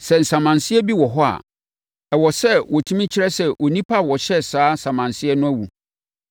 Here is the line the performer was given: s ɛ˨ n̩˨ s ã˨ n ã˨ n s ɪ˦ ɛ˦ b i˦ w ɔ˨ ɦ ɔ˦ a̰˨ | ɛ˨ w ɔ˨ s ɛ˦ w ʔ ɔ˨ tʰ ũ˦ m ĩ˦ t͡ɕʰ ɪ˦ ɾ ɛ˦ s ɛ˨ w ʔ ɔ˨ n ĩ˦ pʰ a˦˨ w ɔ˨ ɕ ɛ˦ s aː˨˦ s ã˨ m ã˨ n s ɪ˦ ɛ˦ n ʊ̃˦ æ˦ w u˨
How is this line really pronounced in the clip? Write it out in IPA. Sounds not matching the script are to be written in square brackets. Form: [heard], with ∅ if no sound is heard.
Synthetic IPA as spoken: s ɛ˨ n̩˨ s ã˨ [m] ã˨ n s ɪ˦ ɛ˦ b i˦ w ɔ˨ ɦ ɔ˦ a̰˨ | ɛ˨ w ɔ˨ s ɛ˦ w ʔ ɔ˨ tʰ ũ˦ m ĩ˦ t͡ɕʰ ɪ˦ ɾ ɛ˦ s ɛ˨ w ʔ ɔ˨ n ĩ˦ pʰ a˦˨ w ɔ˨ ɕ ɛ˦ s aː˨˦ s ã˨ m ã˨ n s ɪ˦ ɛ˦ n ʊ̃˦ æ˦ w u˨